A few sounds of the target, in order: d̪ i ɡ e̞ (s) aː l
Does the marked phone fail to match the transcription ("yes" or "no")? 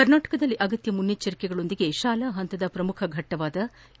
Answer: yes